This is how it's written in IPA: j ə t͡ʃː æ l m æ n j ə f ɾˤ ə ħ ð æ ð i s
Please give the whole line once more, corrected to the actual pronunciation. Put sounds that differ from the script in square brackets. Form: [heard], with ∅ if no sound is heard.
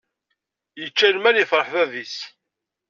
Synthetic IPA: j ə t͡ʃː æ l m æ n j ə f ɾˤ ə ħ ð æ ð i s